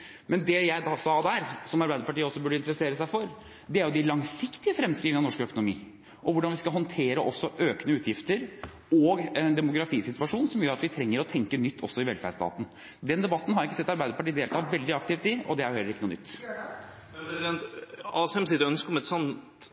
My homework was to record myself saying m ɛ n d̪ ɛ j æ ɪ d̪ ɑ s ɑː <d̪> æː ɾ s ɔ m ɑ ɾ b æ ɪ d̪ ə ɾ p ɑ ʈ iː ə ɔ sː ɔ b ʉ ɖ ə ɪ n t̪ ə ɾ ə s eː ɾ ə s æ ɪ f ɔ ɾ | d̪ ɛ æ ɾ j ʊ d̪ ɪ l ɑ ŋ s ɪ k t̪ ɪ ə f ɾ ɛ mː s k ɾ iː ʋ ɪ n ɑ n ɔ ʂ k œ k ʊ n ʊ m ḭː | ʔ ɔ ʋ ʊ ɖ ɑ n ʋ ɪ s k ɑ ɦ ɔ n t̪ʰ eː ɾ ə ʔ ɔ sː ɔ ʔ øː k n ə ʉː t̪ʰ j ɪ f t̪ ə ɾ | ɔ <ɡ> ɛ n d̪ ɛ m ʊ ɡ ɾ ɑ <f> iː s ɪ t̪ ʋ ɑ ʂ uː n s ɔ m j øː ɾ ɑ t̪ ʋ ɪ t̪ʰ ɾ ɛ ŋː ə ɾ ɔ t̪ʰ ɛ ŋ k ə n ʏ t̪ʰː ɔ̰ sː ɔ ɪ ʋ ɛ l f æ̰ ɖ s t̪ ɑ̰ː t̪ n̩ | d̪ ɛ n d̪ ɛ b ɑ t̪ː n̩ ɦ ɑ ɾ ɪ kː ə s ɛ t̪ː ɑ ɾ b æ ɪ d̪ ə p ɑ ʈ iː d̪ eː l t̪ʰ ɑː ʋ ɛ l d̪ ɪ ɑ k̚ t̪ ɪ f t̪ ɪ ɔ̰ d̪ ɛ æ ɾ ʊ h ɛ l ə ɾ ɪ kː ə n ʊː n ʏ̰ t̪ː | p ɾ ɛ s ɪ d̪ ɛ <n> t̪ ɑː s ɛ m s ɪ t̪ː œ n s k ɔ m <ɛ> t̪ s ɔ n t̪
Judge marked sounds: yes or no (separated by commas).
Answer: yes, yes, yes, yes, yes